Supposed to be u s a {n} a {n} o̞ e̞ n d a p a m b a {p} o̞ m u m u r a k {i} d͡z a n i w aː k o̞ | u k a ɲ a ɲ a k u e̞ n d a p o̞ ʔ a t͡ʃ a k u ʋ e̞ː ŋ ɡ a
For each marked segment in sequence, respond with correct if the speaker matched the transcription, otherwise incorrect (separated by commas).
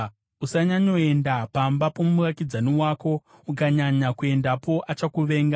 incorrect, incorrect, correct, correct